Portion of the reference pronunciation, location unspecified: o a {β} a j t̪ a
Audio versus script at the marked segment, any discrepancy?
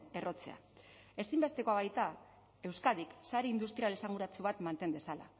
no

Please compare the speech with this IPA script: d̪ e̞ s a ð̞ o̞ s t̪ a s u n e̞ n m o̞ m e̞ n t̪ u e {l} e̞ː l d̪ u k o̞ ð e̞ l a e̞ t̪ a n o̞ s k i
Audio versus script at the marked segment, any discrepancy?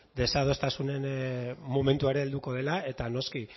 yes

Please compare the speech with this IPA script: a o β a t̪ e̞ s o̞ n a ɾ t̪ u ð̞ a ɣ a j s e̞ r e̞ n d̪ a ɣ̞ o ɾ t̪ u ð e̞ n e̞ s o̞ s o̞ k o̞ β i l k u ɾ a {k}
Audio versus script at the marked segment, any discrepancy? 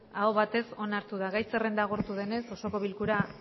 yes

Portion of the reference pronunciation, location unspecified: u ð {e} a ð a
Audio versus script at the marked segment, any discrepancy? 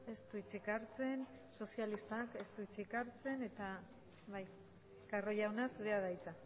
no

